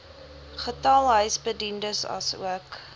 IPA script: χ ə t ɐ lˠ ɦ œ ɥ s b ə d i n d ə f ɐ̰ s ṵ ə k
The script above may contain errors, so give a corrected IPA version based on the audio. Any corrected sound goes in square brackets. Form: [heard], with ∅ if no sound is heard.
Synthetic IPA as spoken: χ ə t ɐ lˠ ɦ œ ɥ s b ə d i n d ə [s] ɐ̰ s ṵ ə k